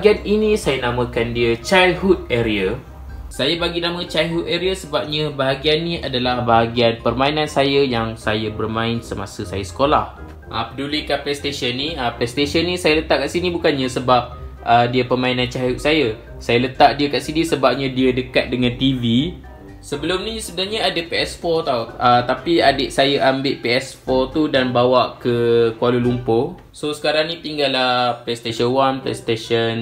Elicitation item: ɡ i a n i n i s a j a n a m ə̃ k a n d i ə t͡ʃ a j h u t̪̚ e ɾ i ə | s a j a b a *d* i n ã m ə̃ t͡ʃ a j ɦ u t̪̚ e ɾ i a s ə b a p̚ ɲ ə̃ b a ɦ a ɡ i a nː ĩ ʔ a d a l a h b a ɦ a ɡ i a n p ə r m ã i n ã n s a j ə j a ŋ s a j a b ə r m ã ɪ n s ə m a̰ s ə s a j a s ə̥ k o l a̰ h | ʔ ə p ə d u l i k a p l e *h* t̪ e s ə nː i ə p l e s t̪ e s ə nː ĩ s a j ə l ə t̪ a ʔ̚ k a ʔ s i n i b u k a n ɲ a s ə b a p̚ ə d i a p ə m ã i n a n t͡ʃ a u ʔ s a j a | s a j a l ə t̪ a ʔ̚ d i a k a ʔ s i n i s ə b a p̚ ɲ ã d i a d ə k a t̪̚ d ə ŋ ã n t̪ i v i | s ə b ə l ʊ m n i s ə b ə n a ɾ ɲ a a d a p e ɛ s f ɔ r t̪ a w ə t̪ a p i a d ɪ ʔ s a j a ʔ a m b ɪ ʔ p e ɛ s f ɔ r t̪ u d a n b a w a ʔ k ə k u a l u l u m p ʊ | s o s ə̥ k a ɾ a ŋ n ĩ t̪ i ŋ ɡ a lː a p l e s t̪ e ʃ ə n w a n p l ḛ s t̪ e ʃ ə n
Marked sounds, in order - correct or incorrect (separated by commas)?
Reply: incorrect, incorrect